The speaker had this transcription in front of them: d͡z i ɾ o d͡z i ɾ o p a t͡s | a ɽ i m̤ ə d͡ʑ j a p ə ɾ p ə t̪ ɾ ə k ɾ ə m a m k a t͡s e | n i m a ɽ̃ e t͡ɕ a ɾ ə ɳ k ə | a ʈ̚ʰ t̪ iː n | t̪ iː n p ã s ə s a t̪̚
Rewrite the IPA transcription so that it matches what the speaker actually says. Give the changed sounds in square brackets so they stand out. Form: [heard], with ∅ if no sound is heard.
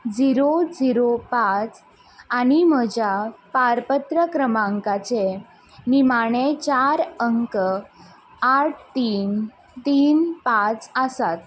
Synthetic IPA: d͡z i ɾ o d͡z i ɾ o p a t͡s | a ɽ i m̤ ə d͡ʑ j a p [a] ɾ p ə t̪ ɾ ə k ɾ ə m a [ŋ] k a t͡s e | n i m a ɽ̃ e t͡ɕ a ɾ ə [ŋ] k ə | a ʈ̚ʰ t̪ iː n | t̪ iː n p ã [t͡s] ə s a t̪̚